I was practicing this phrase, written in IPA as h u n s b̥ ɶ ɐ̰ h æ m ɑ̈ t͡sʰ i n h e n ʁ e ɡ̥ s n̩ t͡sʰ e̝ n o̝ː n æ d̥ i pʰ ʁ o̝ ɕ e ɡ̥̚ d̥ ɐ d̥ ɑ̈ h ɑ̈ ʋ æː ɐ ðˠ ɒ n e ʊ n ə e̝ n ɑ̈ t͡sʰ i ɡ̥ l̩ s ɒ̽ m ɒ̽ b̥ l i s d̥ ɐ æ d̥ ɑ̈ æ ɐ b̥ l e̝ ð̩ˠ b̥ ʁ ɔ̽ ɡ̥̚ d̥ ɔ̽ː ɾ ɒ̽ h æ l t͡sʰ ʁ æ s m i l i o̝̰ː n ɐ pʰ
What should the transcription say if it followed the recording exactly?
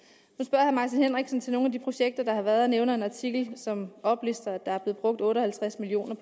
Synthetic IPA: h u n s b̥ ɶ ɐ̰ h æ m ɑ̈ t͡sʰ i n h e n ʁ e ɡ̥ s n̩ t͡sʰ e̝ n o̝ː n æ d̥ i pʰ ʁ o̝ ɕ e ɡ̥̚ d̥ ɐ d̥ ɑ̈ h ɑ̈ ʋ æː ɐ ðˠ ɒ n e ʊ n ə e̝ n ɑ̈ t͡sʰ i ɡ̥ l̩ s ɒ̽ m ɒ̽ b̥ l i s d̥ ɐ æ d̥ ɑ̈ æ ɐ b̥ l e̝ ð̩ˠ b̥ ʁ ɔ̽ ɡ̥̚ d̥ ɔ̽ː ɾ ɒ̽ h æ l t͡sʰ ʁ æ s m i l i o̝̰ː n ɐ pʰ